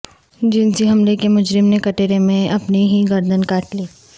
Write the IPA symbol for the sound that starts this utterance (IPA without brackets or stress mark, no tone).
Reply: d͡ʒ